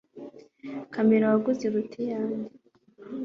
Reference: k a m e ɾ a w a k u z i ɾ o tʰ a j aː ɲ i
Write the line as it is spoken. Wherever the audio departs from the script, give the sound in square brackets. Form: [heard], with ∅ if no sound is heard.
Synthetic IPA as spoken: k a m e ɾ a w a [ɡ] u z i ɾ [u] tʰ [i] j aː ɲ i